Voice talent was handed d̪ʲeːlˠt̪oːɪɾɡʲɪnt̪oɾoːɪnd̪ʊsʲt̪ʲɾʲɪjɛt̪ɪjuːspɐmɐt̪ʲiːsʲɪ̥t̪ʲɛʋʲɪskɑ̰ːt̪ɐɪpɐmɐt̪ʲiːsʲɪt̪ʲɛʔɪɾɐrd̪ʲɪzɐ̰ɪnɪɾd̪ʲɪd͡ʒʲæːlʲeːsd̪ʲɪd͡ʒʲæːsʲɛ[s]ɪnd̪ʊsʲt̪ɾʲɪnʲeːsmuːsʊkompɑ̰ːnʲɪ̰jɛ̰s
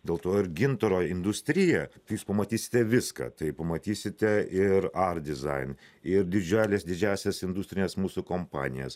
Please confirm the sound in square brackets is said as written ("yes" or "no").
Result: yes